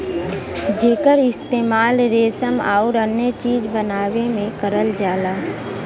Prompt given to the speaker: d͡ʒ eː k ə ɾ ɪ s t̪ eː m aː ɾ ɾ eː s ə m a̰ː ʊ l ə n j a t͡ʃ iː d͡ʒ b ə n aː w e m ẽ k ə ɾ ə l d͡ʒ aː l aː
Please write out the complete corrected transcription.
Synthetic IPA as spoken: d͡ʒ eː k ə ɾ ɪ s t̪ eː m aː l ɾ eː s ə m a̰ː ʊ ɾ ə n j ə t͡ʃ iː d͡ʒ b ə n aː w e m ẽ k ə ɾ ə l d͡ʒ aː l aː